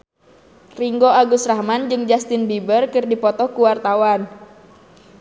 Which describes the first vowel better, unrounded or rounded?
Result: unrounded